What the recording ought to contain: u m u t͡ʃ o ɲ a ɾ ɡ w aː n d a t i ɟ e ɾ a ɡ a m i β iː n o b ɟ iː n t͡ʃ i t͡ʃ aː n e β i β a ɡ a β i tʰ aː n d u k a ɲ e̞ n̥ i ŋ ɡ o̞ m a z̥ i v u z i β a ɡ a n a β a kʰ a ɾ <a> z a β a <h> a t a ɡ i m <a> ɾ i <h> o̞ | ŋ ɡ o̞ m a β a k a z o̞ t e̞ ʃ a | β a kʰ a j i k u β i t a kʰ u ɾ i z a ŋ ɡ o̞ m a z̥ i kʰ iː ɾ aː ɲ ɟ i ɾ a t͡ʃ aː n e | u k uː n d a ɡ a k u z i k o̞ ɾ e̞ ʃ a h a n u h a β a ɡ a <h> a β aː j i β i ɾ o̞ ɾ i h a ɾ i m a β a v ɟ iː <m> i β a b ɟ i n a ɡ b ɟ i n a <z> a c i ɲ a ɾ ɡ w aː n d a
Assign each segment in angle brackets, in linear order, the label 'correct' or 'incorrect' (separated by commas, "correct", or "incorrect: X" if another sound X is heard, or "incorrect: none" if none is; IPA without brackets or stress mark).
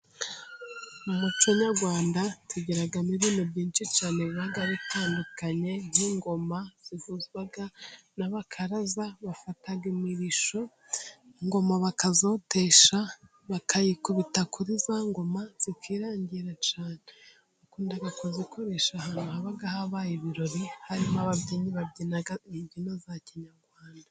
correct, incorrect: f, incorrect: i, incorrect: ʃ, correct, incorrect: ɲ, correct